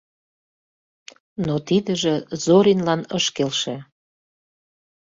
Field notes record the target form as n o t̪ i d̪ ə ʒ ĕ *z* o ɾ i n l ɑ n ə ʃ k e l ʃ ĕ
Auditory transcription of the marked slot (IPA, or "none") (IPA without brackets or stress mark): z